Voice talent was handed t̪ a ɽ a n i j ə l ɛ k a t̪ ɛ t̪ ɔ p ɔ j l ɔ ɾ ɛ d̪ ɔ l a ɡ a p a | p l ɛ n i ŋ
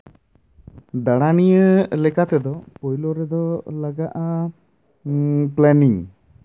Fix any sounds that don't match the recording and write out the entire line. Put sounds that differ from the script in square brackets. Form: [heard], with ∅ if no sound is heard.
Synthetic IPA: [d̪] a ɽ a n i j ə l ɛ k a t̪ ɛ [d̪] ɔ p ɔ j l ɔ ɾ ɛ d̪ ɔ l a ɡ a [ʔ] a | p l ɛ n i ŋ